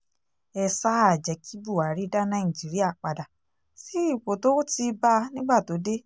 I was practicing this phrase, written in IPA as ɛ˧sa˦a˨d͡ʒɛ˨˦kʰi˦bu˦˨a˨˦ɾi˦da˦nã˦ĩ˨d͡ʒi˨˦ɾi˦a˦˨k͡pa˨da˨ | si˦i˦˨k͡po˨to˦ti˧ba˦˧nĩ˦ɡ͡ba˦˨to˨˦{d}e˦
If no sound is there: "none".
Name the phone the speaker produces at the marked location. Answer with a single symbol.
d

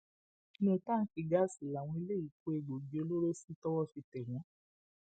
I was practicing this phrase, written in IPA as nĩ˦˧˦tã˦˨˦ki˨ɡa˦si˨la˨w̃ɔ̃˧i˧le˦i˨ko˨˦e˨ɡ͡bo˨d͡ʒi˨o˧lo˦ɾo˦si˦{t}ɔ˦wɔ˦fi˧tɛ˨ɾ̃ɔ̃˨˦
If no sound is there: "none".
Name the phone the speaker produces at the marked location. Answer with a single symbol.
t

